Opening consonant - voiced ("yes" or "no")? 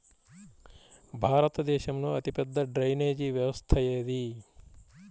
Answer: yes